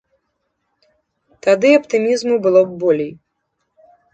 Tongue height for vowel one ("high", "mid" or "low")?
low